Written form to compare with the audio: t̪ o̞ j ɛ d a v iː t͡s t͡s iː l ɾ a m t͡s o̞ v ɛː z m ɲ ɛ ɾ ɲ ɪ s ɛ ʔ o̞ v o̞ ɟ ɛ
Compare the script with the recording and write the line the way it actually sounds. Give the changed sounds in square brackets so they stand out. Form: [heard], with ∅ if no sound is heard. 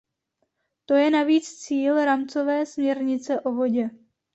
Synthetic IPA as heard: t̪ o̞ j ɛ [n] a v iː t͡s t͡s iː l ɾ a m t͡s o̞ v ɛː [s] m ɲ ɛ ɾ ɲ ɪ [t͡s] ɛ ʔ o̞ v o̞ ɟ ɛ